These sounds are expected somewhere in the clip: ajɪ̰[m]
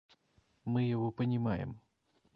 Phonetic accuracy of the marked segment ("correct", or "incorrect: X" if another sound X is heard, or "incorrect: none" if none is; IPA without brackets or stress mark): correct